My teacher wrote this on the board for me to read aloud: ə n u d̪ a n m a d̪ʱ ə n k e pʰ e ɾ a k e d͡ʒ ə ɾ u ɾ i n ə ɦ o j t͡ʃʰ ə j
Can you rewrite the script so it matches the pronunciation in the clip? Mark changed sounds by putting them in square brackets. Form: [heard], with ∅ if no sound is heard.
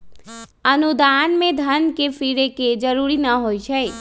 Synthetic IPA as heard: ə n u d̪ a n m [e] d̪ʱ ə n k e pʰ [i] ɾ [e] k e d͡ʒ ə ɾ u ɾ i n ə ɦ o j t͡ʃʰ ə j